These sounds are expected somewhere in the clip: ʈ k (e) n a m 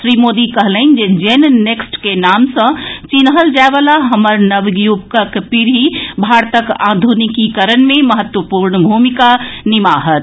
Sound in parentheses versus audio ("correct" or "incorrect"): correct